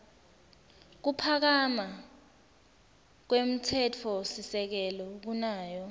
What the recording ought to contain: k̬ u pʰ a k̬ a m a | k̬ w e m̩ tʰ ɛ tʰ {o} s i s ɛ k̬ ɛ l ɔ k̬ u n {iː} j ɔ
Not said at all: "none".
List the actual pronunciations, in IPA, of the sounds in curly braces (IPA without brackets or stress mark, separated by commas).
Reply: ɔ, aː